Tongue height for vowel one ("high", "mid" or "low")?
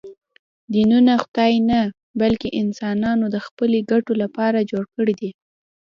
high